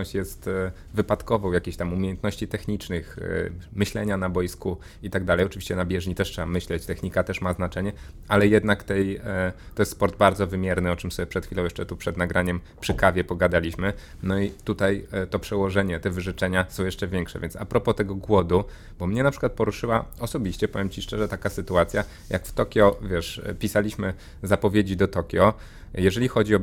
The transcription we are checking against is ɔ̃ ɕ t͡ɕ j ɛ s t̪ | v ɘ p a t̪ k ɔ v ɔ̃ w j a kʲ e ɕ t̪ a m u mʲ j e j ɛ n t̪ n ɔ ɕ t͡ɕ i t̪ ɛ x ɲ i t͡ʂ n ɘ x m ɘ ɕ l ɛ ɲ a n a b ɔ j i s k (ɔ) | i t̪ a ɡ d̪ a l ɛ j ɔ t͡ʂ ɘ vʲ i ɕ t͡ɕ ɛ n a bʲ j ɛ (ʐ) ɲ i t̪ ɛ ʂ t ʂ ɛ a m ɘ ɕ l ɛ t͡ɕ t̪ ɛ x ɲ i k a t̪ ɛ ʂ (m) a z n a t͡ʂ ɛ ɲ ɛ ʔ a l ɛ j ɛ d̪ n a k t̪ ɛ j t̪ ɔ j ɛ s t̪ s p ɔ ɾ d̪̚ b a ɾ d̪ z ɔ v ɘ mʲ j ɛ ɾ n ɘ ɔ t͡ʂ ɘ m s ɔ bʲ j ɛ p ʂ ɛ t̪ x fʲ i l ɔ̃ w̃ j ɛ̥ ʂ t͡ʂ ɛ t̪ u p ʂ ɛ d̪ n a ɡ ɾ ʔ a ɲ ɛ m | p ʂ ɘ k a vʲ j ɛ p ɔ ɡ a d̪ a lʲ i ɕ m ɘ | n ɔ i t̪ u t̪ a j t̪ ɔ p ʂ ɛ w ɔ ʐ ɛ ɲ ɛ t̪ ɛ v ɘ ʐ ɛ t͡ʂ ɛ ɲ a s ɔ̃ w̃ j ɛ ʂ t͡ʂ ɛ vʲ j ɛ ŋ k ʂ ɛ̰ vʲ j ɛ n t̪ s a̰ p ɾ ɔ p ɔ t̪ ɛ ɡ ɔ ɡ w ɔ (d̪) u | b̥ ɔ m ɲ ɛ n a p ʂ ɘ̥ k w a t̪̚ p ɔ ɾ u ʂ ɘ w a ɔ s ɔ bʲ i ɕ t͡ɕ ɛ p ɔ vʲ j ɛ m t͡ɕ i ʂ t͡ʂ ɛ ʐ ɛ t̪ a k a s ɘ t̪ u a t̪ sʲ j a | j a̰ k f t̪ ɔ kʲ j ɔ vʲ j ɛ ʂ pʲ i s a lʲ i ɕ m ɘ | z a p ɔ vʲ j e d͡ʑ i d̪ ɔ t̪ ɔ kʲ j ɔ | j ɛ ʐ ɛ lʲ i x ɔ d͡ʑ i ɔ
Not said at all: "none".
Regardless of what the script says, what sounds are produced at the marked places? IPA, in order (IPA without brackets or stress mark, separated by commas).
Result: u, ʐ, m, d̪